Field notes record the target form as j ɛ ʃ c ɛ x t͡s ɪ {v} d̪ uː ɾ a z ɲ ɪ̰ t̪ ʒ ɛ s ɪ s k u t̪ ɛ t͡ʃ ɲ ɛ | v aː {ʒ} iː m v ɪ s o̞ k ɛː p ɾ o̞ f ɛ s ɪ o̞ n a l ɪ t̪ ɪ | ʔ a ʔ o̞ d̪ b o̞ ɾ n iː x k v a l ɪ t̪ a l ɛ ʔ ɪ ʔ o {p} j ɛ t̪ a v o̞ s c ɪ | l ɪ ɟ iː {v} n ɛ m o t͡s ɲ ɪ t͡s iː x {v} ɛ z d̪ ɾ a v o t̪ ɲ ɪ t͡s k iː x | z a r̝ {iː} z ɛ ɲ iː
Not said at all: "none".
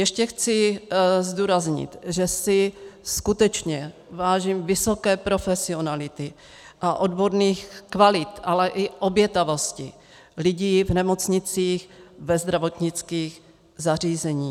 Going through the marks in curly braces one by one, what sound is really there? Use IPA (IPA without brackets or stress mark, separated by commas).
z, ʒ, b, v, v, iː